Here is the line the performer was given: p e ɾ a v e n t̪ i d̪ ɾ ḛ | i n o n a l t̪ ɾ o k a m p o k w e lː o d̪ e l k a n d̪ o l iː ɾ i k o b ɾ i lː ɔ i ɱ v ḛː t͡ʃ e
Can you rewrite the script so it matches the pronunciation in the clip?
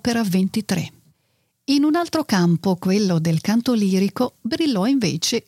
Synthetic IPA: p e ɾ a v e n t̪ i t̪ ɾ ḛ | i n u n a l t̪ ɾ o k a m p o k w e lː o d̪ e l k a n t̪ o l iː ɾ i k o b ɾ i lː ɔ i ɱ v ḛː t͡ʃ e